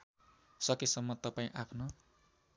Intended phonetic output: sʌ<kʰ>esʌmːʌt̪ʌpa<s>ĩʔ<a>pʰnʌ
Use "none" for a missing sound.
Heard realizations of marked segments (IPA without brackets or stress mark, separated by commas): k, none, a